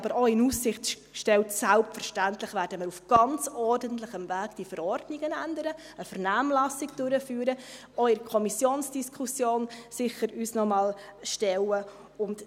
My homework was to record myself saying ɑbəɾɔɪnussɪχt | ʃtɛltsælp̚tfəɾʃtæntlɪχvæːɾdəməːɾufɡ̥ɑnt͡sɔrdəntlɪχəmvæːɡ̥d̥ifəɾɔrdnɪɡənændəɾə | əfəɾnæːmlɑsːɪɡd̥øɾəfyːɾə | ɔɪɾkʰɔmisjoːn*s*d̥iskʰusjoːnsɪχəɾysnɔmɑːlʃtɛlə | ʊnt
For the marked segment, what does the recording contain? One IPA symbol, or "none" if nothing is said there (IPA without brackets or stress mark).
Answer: s